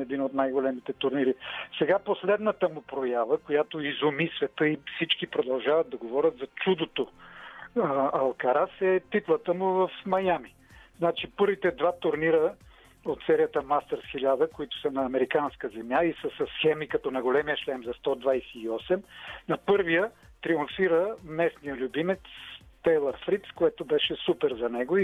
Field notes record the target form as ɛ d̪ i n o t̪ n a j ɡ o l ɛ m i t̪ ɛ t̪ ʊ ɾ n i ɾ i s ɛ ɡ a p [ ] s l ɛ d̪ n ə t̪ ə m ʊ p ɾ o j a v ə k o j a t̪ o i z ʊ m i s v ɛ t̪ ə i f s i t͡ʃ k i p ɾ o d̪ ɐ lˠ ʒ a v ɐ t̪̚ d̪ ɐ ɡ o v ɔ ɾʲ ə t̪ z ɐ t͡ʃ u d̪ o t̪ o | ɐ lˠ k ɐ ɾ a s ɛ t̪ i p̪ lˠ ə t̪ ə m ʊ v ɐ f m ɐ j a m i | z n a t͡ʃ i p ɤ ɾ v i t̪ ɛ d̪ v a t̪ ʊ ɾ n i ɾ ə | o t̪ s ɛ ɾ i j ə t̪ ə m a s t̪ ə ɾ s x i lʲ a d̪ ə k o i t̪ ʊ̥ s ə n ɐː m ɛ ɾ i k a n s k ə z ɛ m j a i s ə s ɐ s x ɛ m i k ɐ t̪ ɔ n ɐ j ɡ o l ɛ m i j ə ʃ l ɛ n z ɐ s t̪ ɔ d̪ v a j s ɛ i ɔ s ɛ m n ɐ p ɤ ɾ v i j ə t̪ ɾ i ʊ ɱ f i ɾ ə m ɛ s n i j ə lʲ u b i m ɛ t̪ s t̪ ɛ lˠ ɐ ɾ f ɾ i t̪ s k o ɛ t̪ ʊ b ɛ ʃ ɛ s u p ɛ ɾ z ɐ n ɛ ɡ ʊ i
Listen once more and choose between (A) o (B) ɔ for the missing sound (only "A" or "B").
A